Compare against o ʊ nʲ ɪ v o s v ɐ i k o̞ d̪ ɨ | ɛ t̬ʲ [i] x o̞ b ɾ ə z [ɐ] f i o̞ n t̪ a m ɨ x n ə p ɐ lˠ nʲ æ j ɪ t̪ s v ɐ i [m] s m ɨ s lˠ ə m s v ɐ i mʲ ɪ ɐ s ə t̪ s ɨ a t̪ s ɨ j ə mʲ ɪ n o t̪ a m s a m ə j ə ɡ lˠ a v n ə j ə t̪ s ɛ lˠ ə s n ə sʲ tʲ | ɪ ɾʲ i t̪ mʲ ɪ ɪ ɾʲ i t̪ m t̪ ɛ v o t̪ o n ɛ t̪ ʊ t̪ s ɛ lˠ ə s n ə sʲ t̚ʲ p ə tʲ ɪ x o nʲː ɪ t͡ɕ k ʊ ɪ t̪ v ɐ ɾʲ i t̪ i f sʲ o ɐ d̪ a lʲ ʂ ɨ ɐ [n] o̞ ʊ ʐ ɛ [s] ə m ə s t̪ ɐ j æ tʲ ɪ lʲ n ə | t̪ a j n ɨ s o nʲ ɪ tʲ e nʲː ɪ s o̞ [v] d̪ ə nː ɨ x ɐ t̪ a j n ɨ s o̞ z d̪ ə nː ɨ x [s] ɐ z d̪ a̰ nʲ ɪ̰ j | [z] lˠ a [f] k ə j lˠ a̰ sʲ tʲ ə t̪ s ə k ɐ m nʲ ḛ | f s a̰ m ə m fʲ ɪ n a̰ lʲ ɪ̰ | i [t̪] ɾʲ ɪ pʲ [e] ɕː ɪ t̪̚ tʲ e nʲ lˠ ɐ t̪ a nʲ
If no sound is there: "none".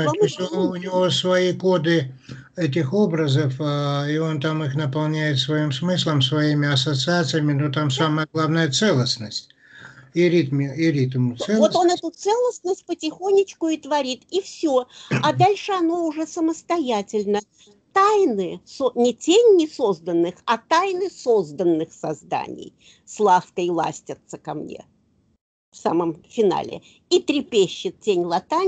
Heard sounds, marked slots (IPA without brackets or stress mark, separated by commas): ɪ, ə, m, n, s, z, s, s, f, t̪, e